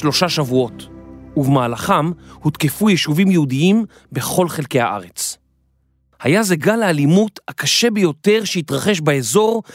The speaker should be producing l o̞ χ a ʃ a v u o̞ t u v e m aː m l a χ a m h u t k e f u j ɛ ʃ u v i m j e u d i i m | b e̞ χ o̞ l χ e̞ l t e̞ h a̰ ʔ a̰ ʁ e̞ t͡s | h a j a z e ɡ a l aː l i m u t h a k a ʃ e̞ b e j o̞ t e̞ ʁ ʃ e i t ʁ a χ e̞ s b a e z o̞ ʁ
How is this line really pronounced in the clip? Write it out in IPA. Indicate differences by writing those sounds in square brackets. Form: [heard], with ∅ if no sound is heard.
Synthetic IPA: l o̞ [ʃ] a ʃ a v u o̞ t u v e m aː [∅] l a χ a m h u t k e f u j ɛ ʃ u v i m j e u d i i m | b e̞ χ o̞ l χ e̞ l [k] e̞ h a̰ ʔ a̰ ʁ e̞ t͡s | h a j a z e ɡ a l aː l i m u t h a k a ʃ e̞ b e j o̞ t e̞ ʁ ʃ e i t ʁ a χ e̞ [ʃ] b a e z o̞ ʁ